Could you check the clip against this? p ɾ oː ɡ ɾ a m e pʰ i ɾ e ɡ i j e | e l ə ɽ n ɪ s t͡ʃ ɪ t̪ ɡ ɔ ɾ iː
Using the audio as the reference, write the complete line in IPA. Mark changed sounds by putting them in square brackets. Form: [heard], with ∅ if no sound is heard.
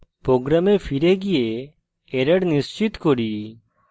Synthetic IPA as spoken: p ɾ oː ɡ ɾ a m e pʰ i ɾ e ɡ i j e | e [ɾ] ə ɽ n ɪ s t͡ʃ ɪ t̪ [k] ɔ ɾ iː